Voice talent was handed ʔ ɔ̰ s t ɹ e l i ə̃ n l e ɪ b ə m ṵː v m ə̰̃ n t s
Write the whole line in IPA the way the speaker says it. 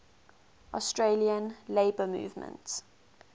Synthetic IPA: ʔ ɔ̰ s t ɹ e l i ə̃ n l e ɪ b ə m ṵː v m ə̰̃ n t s